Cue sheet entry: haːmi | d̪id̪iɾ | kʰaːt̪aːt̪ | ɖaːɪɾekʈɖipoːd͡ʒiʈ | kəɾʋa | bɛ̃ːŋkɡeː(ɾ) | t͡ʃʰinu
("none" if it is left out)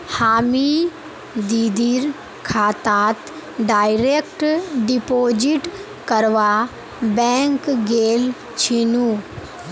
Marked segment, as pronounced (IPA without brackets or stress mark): l